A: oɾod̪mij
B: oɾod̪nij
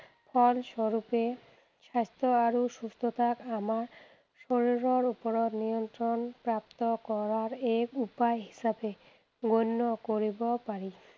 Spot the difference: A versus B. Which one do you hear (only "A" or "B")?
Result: B